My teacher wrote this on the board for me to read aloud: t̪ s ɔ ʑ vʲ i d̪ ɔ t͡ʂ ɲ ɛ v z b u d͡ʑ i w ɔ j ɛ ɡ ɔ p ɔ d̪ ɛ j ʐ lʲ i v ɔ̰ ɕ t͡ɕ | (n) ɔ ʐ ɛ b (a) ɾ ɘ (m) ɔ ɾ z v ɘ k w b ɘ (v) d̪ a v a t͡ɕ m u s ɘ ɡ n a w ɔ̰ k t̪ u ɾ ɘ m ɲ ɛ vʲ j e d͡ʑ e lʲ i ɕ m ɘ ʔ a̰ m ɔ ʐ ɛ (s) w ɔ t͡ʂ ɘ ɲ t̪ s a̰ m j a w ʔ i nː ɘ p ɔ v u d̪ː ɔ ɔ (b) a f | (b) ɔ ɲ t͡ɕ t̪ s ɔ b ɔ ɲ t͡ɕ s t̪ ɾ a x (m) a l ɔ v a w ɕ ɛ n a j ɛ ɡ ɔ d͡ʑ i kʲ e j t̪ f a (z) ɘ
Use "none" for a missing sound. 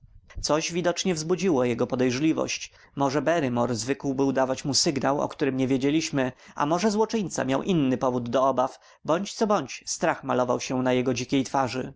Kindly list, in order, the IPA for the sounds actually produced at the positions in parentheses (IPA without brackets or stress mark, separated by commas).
m, ɛ, m, w, z, b, b, m, ʐ